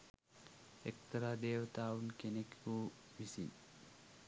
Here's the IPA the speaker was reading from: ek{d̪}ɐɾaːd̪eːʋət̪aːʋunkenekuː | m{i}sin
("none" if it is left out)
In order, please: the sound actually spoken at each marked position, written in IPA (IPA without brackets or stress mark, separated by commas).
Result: t̪, i